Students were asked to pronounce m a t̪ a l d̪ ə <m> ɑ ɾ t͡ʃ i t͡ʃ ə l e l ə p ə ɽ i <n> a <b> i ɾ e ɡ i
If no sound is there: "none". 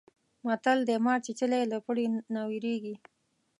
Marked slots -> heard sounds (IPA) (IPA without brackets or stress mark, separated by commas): m, n, w